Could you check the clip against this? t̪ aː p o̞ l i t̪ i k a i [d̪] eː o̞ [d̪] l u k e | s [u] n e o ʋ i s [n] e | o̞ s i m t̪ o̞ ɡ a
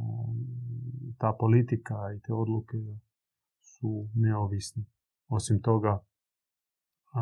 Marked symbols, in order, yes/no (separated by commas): no, yes, yes, yes